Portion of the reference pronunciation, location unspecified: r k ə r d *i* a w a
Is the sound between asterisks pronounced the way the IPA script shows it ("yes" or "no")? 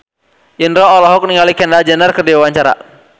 yes